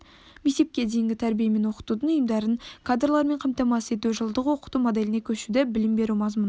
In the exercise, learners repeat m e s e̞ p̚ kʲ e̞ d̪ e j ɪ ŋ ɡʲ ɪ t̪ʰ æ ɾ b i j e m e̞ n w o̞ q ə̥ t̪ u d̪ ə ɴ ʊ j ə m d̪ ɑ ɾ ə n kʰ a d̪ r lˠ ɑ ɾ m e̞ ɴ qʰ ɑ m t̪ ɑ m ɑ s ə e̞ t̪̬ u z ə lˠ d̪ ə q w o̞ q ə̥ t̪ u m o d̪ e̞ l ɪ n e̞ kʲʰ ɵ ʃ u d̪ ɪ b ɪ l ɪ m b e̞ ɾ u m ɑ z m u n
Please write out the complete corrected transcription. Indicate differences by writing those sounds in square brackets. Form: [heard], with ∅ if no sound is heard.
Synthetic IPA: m e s e̞ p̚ kʲ e̞ d̪ e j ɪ ŋ ɡʲ ɪ t̪ʰ æ ɾ b i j e m e̞ n w o̞ q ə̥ t̪ u d̪ ə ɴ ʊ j ə m d̪ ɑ ɾ ə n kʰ a d̪ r lˠ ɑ ɾ m e̞ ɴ qʰ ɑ m t̪ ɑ m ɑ s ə e̞ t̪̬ u [ʒ] ə lˠ d̪ ə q w o̞ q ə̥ t̪ u m o d̪ e̞ l ɪ n e̞ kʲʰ ɵ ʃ u d̪ ɪ b ɪ l ɪ m b e̞ ɾ u m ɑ z m u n